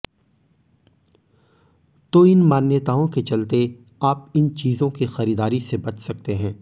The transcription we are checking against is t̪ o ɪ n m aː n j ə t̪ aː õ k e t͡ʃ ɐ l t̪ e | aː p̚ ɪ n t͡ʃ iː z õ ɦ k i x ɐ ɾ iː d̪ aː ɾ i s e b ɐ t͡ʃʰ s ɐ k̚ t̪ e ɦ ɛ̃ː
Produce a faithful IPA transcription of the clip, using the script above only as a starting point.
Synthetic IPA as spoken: t̪ o ɪ n m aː n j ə t̪ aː õ k e t͡ʃ ɐ l t̪ e | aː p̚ ɪ n t͡ʃ iː z õ k i x ɐ ɾ iː d̪ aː ɾ i s e b ɐ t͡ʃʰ s ɐ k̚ t̪ e ɦ ɛ̃ː